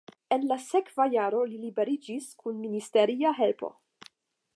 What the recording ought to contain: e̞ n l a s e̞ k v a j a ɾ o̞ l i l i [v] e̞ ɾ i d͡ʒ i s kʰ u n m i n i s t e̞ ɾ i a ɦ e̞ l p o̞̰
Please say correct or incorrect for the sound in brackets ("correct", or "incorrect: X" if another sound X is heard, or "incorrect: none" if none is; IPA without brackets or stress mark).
incorrect: b